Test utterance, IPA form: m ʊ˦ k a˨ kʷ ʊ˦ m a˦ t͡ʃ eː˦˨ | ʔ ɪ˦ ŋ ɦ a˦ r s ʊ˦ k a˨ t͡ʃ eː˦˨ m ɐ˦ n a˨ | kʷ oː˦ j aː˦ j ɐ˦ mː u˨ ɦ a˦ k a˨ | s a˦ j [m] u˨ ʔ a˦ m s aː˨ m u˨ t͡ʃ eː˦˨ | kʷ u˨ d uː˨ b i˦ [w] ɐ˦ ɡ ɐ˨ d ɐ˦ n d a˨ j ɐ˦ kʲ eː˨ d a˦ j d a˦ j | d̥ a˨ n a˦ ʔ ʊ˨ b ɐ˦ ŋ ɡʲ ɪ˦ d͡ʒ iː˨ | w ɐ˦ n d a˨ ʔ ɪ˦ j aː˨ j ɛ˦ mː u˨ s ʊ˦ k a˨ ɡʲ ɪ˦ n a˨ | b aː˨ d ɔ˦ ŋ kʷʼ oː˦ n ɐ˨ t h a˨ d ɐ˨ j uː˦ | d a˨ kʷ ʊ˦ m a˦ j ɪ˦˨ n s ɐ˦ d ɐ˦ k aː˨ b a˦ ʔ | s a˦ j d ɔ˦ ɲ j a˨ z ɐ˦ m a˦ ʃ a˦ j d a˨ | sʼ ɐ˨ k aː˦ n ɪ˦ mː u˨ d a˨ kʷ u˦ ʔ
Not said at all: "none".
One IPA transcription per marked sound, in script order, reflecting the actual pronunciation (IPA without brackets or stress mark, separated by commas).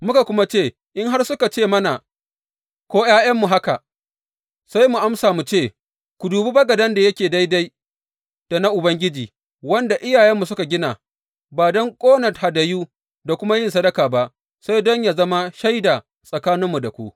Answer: m, b